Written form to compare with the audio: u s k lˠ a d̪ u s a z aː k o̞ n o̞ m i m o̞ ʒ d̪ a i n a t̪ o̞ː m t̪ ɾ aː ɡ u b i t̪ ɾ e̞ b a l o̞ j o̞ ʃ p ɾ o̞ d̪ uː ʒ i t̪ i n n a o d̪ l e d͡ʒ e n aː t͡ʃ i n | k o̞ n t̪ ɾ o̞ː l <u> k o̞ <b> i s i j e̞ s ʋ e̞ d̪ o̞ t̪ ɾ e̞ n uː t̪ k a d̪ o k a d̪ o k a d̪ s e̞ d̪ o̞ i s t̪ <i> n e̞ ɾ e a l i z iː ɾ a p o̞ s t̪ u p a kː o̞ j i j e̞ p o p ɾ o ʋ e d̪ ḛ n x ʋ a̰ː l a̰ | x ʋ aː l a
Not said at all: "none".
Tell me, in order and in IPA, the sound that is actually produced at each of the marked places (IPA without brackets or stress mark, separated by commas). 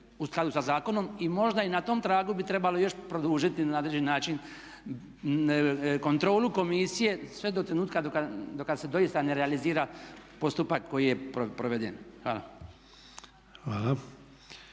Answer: u, m, a